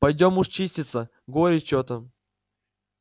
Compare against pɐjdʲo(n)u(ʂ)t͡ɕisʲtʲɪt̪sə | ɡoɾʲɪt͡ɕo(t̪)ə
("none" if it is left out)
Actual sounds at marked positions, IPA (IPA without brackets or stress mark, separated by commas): m, ʂ, t̪